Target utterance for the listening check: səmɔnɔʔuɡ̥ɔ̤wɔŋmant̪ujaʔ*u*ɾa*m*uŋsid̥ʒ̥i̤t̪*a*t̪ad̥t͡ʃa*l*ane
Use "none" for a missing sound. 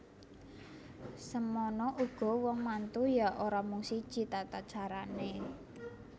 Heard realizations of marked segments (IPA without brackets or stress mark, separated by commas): o, m, a, ɾ